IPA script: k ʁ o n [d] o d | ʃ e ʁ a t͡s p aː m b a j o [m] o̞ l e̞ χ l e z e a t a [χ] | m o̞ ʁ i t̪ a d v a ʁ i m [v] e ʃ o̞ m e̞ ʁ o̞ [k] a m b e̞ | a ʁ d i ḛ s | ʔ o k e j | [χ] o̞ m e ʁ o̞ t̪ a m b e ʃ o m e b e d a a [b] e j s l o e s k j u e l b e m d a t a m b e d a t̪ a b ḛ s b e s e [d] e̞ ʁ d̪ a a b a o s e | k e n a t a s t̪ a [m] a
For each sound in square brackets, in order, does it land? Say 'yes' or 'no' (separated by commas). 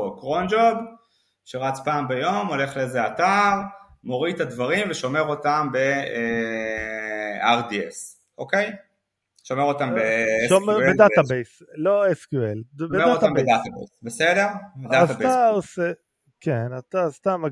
no, yes, no, yes, no, no, yes, yes, yes